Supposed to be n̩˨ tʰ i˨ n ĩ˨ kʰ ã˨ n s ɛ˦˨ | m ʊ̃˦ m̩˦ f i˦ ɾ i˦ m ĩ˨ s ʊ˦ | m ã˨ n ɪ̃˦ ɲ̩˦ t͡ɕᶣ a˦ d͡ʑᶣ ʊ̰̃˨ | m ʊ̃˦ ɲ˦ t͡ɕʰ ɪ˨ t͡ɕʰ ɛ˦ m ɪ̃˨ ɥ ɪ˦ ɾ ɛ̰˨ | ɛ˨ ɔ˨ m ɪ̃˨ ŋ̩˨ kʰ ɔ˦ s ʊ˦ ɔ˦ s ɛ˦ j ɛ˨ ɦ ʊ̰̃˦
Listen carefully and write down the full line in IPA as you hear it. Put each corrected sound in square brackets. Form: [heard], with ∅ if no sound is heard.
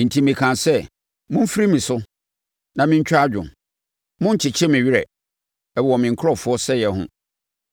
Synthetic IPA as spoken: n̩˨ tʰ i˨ [m] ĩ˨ kʰ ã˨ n s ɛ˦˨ | m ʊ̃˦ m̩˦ f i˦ ɾ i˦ m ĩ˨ s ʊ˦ | [n] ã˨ [m] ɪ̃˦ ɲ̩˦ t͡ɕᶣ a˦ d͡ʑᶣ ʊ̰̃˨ | m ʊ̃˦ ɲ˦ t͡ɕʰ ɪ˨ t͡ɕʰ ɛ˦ m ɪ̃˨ ɥ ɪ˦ ɾ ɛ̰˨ | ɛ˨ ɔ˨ m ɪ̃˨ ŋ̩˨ kʰ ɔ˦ [f] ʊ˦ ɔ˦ s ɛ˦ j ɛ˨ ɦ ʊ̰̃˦